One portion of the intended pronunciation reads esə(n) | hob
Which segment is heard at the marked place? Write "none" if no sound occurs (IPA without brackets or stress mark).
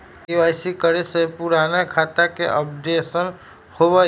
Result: n